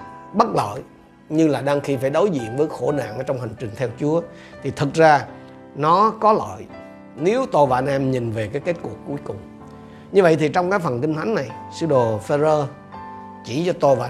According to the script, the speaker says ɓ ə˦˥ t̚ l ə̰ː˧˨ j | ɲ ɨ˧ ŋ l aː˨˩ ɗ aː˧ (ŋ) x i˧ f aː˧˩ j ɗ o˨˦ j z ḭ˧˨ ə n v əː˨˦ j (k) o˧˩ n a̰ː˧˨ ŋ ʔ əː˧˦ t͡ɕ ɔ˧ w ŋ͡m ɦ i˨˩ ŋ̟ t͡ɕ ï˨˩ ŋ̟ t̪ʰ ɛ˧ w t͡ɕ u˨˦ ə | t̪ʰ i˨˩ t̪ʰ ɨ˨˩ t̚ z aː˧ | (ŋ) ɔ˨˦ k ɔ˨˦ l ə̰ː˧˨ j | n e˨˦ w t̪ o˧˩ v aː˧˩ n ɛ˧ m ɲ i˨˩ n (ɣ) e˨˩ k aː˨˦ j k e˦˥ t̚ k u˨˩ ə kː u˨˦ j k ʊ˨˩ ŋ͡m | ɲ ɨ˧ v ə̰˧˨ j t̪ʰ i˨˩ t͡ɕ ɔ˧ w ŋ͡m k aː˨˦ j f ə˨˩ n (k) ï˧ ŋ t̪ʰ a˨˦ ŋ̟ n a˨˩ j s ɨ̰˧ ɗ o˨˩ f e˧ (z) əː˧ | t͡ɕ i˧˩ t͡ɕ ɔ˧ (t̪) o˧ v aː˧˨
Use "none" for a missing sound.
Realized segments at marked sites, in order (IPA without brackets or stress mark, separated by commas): ŋ, x, n, v, k, z, t̪